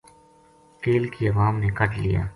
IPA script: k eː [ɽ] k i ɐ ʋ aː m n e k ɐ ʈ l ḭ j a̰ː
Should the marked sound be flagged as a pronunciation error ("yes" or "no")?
yes